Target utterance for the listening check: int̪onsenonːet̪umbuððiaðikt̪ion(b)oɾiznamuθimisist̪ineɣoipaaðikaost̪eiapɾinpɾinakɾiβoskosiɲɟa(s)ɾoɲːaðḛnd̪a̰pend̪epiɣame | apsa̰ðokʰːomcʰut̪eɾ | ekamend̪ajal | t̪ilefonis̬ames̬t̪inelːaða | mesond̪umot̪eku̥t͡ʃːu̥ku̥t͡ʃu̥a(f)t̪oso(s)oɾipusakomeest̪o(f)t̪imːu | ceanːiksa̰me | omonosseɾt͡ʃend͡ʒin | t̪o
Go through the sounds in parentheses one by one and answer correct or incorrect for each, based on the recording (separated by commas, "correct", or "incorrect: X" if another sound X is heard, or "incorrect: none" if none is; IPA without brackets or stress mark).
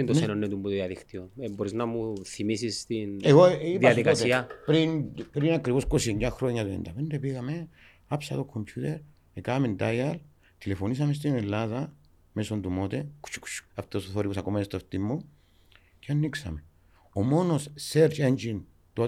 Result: correct, incorrect: x, correct, incorrect: θ, correct